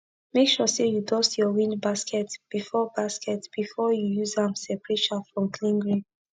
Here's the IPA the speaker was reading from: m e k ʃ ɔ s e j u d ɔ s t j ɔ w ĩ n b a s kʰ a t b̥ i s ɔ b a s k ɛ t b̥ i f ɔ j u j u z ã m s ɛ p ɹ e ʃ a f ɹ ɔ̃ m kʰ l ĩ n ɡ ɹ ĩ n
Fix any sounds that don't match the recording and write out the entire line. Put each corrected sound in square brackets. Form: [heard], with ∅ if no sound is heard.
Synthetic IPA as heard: m e k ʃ ɔ s e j u d ɔ s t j ɔ w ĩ n b a s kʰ [ɛ] t b̥ i [f] ɔ b a s k ɛ t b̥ i f ɔ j u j u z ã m s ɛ p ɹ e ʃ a f ɹ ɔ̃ m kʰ l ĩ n ɡ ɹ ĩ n